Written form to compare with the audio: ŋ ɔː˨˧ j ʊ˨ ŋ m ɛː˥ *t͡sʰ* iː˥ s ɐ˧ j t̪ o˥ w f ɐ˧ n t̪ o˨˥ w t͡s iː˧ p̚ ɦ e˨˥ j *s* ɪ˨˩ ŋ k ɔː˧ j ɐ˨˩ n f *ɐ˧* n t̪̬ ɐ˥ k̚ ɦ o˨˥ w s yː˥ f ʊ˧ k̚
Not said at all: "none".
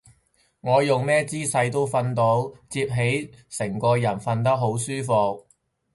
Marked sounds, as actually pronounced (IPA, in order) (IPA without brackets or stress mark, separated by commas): t͡s, s, ɐ˧